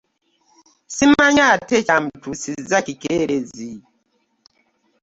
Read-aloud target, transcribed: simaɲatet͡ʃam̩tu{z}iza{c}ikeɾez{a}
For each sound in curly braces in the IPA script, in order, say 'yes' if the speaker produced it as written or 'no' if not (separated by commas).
no, no, no